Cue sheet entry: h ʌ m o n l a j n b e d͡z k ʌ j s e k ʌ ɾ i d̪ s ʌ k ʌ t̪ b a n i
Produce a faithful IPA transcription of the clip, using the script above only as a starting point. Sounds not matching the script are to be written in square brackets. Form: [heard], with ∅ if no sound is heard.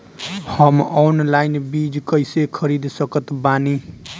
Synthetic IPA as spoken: h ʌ m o n l a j n b [i] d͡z k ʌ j s e [kʰ] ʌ ɾ i d̪ s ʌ k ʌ t̪ b a n i